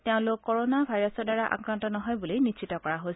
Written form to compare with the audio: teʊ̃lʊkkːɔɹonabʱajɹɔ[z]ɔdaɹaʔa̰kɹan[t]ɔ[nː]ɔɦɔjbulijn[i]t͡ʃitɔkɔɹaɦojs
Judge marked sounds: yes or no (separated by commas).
no, yes, no, yes